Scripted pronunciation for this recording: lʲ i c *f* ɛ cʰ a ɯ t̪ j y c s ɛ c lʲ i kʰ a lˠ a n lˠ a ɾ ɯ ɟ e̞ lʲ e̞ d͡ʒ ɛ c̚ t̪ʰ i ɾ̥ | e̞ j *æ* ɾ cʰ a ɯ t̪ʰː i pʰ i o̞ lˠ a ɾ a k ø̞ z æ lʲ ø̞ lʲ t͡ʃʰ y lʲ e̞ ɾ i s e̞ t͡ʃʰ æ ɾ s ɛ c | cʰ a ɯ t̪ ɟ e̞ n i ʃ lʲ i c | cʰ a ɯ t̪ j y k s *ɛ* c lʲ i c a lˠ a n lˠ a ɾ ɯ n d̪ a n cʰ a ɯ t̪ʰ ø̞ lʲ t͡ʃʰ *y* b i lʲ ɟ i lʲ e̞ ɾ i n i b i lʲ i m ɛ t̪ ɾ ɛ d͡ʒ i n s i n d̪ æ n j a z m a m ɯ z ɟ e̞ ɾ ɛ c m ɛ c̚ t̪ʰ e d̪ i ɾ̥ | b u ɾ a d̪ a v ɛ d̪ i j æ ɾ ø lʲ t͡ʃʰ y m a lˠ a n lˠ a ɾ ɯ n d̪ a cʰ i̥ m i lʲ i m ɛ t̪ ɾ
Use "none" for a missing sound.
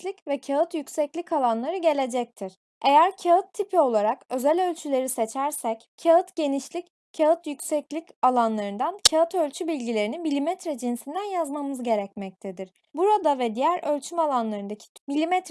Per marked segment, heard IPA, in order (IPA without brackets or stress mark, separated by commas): v, æ, ɛ, y